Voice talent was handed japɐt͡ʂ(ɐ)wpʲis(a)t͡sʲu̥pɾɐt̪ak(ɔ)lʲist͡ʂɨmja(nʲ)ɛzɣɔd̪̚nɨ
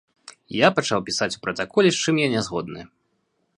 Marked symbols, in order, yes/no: no, yes, yes, yes

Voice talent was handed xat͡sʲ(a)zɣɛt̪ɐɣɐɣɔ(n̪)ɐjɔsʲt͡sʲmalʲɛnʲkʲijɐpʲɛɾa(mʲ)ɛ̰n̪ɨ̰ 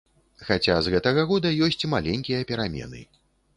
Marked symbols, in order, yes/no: yes, no, yes

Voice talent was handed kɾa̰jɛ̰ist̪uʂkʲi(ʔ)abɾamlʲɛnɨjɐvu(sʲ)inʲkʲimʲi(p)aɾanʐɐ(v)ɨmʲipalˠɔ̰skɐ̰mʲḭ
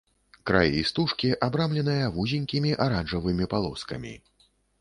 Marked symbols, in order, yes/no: yes, no, no, yes

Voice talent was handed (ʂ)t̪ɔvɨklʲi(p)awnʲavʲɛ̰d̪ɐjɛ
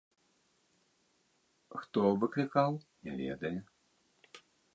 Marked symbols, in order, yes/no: no, no

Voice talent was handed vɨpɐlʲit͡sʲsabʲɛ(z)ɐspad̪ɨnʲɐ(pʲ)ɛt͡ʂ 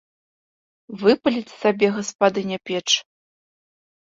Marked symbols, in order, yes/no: no, yes

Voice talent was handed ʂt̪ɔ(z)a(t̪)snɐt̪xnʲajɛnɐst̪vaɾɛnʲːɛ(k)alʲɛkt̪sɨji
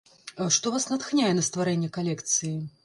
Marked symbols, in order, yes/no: no, no, yes

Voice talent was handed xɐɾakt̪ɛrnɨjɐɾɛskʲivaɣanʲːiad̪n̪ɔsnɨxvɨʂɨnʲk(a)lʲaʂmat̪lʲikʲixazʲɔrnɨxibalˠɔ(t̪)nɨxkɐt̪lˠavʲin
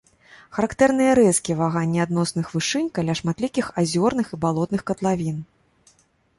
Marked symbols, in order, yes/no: yes, yes

